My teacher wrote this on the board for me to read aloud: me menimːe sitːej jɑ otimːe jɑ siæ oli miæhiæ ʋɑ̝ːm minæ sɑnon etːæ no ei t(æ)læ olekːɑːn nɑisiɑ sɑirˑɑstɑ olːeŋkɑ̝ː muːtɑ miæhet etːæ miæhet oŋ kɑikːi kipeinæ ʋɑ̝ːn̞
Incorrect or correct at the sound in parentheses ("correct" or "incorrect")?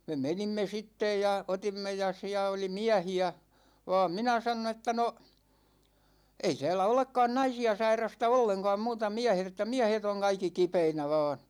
incorrect